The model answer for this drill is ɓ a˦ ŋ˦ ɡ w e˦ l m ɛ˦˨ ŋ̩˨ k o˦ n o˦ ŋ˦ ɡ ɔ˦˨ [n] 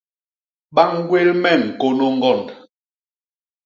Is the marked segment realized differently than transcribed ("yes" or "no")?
no